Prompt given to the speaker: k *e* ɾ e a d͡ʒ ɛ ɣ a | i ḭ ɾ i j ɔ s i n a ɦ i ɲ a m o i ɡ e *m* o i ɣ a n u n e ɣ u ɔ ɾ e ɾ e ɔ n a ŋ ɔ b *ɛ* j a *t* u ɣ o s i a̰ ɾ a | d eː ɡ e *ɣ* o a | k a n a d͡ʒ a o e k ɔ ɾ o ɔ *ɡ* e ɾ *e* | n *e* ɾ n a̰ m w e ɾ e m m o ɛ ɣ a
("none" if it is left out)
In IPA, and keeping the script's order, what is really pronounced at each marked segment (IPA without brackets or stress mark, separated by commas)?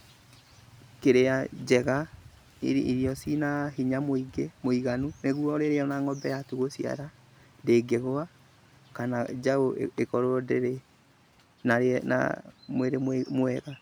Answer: e, m, ɛ, t, ɣ, d, e, a